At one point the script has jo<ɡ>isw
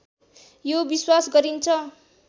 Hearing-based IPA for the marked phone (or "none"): b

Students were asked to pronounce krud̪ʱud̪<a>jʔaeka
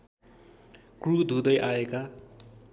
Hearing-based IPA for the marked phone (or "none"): ʌ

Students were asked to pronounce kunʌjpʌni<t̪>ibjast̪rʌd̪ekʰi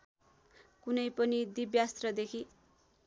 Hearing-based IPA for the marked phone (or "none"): d̪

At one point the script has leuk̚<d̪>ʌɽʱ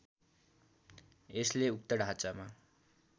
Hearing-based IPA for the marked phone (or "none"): t̪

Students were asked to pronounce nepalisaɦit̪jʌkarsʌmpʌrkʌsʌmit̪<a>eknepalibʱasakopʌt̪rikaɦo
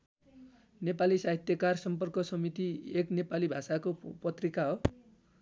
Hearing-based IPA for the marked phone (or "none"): i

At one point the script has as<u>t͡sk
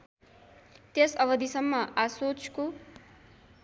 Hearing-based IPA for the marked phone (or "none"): o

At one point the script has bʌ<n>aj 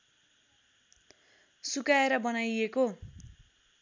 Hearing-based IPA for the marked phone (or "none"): n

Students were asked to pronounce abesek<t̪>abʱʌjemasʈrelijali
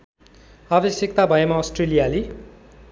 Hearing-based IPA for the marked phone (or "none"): t̪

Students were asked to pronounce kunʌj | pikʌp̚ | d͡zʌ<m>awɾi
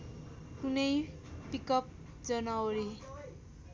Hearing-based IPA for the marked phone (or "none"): n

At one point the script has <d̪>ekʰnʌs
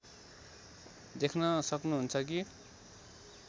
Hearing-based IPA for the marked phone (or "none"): d̪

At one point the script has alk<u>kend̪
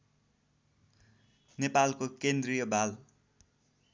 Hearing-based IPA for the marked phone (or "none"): o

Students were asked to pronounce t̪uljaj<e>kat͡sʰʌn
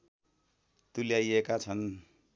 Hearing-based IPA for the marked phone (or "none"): e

